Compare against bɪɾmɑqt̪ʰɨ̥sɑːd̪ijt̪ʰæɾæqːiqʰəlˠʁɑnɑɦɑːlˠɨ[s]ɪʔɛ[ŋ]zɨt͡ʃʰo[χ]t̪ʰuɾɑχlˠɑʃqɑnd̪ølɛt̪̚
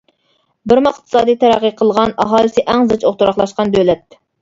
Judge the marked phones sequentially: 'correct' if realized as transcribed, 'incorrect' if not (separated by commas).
correct, correct, correct